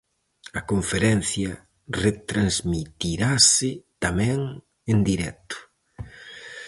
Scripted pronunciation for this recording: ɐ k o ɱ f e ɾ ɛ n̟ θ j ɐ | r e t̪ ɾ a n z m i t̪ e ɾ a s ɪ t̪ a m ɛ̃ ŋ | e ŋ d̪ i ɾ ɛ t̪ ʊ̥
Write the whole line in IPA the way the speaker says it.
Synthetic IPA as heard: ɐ k o ɱ f e ɾ ɛ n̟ θ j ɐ | r e t̪ ɾ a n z m i t̪ i ɾ a s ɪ t̪ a m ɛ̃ ŋ | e n d̪ i ɾ ɛ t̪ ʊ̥